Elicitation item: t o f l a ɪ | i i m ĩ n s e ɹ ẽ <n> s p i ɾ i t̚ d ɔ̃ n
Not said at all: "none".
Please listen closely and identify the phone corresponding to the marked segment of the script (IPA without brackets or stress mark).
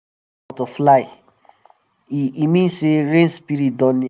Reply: n